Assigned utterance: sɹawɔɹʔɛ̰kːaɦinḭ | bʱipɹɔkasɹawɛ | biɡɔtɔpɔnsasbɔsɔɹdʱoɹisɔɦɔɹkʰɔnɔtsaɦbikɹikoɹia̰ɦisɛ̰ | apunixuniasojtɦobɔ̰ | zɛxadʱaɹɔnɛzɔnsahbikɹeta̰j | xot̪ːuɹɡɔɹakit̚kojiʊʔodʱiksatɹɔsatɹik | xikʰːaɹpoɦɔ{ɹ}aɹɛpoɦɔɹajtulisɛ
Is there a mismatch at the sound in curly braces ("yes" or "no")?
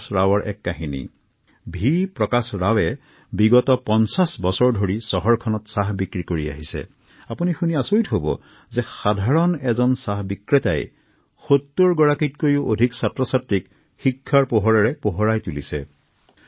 no